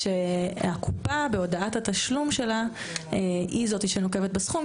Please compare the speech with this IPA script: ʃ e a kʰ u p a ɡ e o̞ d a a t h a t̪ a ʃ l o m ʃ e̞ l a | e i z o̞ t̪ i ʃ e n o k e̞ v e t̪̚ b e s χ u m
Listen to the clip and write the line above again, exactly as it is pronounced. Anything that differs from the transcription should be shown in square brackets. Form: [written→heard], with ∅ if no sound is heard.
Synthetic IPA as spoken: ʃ e a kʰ u p a [ɡ→b] e o̞ d a a t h a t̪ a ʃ l [o→u] m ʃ e̞ l a | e i z o̞ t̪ i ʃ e n o k e̞ v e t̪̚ b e s χ u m